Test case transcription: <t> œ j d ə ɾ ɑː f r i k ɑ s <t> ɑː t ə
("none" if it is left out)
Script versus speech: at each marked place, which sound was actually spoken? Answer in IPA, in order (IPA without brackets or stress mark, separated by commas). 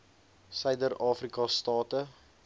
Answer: s, t